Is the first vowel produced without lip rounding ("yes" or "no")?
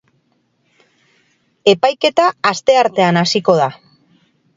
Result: yes